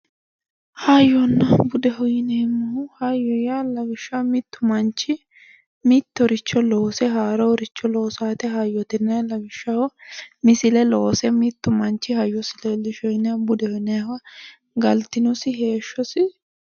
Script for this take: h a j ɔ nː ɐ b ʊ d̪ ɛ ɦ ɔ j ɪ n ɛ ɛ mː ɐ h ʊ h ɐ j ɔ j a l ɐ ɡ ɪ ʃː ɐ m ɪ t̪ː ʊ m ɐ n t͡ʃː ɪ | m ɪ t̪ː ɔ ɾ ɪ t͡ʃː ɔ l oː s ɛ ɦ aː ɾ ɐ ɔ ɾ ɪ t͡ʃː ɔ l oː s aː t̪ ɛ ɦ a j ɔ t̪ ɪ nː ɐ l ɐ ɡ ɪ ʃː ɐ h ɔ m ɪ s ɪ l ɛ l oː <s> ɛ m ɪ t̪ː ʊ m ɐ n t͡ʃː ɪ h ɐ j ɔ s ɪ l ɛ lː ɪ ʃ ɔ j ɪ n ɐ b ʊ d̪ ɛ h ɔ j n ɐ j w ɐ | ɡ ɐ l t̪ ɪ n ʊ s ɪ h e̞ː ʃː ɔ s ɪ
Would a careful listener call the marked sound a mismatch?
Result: no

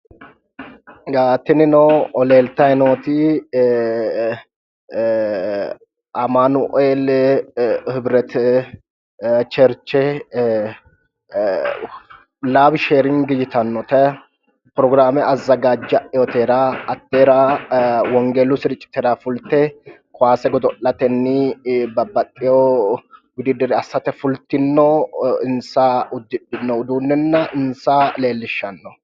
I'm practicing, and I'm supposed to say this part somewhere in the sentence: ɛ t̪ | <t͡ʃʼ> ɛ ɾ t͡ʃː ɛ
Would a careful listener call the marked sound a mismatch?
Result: yes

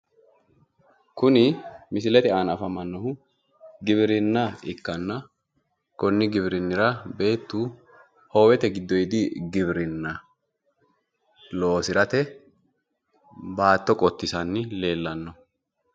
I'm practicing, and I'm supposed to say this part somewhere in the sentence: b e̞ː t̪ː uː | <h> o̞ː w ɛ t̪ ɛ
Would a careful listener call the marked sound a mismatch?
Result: no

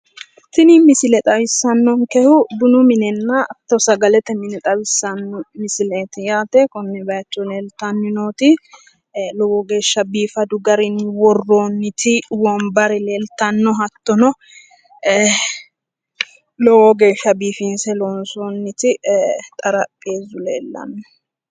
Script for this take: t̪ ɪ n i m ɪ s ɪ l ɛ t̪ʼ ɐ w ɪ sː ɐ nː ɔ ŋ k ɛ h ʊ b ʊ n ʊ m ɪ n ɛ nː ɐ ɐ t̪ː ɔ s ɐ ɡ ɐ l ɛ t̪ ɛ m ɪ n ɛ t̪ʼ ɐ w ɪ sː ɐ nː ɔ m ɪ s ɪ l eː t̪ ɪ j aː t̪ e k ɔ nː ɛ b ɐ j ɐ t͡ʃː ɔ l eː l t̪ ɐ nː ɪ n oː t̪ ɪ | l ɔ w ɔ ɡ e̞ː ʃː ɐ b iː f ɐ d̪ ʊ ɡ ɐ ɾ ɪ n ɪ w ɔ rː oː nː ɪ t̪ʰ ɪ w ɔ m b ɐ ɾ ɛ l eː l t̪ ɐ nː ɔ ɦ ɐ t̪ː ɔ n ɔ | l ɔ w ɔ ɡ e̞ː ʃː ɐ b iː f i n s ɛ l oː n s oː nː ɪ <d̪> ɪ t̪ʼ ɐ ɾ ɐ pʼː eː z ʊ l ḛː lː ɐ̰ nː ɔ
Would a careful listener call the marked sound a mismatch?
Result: yes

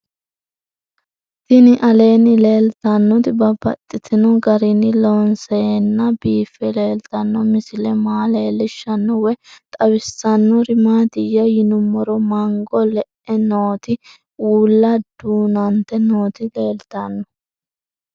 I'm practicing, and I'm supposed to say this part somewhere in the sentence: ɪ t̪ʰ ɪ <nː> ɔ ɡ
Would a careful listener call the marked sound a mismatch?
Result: yes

